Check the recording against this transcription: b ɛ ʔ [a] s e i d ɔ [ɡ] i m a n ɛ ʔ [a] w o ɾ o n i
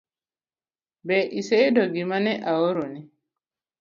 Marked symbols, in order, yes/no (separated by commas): no, yes, yes